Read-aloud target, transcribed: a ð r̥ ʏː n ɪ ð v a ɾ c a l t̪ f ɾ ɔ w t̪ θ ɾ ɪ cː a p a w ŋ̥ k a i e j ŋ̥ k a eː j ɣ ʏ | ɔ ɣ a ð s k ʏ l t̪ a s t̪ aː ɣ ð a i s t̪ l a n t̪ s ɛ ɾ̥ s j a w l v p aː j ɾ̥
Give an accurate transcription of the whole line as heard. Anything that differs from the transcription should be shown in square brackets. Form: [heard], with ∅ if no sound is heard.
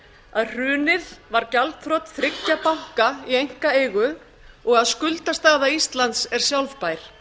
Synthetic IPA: a ð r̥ ʏː n ɪ ð v a ɾ c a l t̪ f ɾ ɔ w t̪ θ ɾ ɪ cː a p a w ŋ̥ k a i e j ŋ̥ k a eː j ɣ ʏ | ɔ ɣ a ð s k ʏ l t̪ a s t̪ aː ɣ ð a i s t̪ l a n t̪ s ɛ ɾ̥ s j a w l v p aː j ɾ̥